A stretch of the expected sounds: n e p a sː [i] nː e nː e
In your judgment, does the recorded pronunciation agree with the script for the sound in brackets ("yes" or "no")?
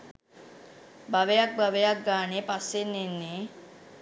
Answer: no